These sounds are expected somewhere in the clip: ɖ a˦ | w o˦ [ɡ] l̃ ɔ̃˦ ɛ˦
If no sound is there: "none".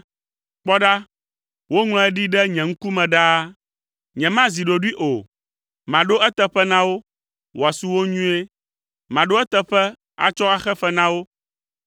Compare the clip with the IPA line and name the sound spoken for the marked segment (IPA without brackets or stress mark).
ŋ